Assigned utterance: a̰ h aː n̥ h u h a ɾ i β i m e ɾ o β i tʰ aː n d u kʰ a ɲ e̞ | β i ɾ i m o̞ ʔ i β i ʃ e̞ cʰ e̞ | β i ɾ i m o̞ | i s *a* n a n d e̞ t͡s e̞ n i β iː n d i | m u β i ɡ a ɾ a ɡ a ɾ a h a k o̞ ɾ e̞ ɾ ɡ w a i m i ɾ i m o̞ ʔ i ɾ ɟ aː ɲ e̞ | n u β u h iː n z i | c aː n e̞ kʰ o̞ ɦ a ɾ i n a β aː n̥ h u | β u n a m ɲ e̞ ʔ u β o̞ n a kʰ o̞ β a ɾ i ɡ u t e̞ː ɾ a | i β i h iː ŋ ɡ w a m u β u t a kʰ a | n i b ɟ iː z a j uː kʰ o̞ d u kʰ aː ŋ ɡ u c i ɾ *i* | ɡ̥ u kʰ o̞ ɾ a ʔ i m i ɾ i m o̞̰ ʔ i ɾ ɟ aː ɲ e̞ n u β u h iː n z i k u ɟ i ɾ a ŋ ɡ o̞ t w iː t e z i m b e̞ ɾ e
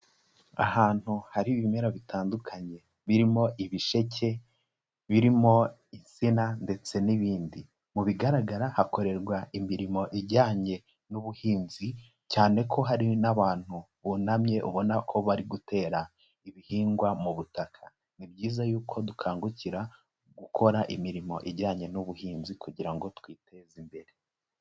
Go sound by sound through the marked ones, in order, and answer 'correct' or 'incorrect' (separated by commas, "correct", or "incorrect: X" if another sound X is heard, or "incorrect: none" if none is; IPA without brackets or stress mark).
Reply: incorrect: i, incorrect: a